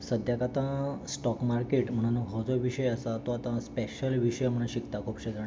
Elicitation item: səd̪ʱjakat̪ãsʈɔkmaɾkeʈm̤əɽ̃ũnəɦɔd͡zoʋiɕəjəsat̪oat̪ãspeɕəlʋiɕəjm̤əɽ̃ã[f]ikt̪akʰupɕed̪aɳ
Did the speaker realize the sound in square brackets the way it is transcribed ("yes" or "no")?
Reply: no